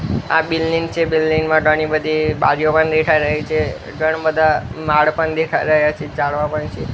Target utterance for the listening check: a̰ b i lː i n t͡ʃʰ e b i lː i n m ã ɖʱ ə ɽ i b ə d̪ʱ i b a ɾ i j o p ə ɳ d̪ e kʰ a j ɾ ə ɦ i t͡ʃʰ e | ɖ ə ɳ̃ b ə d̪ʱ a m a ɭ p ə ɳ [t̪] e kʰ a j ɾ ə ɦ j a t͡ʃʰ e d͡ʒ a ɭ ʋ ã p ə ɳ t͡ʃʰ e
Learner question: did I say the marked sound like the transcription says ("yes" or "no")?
no